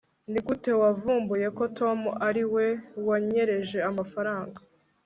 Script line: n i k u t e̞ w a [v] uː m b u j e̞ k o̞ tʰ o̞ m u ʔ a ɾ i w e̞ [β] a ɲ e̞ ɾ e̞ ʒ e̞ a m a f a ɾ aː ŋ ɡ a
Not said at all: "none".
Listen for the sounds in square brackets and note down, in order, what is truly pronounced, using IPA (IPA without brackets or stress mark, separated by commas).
v, w